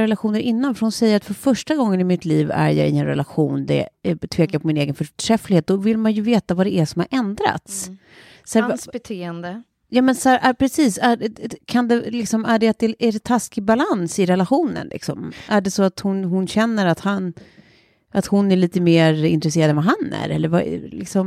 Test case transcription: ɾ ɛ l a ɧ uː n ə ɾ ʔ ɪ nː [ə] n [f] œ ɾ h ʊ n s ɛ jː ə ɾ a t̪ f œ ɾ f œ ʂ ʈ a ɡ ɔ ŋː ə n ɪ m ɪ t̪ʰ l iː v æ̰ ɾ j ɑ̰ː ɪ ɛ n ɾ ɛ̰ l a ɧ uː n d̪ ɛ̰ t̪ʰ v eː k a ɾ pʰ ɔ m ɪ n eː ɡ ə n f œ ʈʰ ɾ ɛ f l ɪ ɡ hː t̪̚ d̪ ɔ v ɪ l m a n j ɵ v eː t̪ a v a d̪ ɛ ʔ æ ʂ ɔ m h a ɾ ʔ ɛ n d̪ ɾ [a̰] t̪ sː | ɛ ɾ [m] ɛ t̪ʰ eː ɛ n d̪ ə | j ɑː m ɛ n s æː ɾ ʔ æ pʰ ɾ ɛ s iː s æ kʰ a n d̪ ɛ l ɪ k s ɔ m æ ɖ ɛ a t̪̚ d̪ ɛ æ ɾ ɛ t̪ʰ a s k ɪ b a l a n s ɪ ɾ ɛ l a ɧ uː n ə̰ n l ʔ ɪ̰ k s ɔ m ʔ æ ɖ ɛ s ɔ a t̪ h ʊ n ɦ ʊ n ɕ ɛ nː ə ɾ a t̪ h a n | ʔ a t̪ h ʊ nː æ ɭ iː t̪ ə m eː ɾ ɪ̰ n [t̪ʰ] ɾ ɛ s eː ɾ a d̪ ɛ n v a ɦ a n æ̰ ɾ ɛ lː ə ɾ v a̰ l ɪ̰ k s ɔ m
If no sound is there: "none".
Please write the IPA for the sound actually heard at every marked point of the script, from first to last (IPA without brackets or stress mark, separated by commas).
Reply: a, f, a̰, b, t̪